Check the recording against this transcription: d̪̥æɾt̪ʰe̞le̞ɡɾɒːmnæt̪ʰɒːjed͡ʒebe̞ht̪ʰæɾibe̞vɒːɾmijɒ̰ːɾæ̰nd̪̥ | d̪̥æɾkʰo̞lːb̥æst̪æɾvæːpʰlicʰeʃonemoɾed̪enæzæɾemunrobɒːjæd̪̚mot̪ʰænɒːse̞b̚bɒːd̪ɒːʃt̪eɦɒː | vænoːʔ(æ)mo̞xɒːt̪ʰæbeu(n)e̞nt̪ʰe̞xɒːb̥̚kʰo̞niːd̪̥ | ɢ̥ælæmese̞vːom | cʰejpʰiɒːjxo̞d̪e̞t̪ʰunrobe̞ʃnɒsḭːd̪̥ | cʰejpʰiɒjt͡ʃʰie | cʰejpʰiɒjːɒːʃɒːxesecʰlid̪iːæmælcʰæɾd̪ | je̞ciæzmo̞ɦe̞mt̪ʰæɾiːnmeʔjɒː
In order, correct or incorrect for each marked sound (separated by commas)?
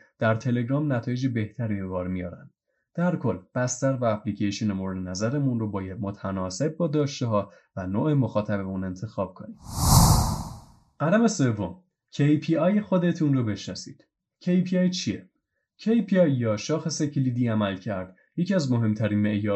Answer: incorrect, correct